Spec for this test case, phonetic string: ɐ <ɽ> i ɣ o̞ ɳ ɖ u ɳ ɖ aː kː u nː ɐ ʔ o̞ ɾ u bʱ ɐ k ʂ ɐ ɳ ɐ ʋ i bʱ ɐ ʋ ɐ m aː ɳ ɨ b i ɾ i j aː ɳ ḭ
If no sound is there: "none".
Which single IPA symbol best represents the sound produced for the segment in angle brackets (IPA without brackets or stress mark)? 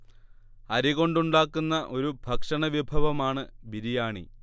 ɾ